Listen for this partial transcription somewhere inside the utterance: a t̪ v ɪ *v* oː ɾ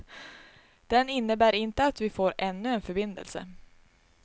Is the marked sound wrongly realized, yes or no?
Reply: yes